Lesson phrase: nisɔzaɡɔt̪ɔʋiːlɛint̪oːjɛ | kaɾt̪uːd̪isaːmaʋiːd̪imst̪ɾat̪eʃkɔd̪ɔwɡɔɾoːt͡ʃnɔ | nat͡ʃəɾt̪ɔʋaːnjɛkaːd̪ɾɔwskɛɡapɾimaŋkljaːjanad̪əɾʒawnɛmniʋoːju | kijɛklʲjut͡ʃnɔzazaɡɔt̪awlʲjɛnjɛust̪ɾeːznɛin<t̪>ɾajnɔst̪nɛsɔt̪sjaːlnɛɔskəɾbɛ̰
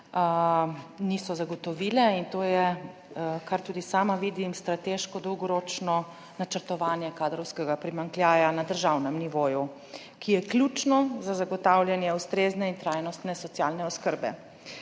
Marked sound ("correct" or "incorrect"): correct